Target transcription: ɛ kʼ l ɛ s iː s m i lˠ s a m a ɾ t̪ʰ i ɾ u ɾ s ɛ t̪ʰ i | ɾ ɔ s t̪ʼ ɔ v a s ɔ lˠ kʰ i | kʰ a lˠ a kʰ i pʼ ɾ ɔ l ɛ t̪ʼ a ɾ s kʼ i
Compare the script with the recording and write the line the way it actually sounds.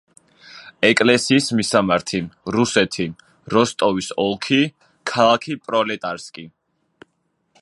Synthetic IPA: ɛ kʼ l ɛ s iː s m i s a m a ɾ t̪ʰ i ɾ u s ɛ t̪ʰ i | ɾ ɔ s t̪ʼ ɔ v i s ɔ lˠ kʰ i | kʰ a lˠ a kʰ i pʼ ɾ ɔ l ɛ t̪ʼ a ɾ s kʼ i